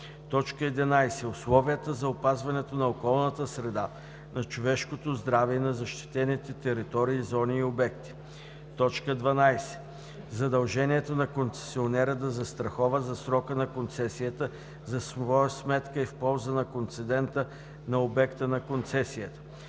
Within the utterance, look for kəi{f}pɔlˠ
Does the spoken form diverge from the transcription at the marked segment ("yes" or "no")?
no